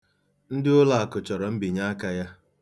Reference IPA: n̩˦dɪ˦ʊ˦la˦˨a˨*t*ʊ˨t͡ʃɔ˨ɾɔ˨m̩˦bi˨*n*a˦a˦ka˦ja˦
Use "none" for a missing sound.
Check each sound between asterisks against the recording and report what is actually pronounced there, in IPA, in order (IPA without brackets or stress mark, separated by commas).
k, ɲ